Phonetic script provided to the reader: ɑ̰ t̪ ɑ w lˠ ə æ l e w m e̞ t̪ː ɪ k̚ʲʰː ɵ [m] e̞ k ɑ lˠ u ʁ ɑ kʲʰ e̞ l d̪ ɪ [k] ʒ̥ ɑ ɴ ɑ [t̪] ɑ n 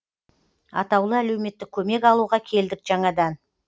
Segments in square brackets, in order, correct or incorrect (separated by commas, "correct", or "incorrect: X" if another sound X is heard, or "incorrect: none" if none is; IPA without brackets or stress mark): correct, correct, incorrect: d̪